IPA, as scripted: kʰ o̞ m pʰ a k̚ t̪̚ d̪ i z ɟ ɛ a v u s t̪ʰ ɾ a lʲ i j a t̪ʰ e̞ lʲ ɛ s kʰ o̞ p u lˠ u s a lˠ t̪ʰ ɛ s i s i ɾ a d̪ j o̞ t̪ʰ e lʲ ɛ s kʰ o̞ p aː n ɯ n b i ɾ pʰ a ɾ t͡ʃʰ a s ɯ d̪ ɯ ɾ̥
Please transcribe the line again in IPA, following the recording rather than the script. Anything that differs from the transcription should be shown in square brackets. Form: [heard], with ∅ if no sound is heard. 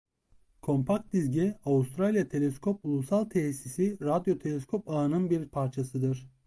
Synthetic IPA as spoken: kʰ o̞ m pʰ a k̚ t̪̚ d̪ i z ɟ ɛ a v u s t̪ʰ ɾ a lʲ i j a t̪ʰ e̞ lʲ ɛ s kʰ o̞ p u lˠ u s a lˠ t̪ʰ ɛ s i s i ɾ a d̪ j o̞ t̪ʰ e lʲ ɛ s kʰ o̞ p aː n ɯ n b i ɾ pʰ a ɾ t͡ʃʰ a s ɯ d̪ ɯ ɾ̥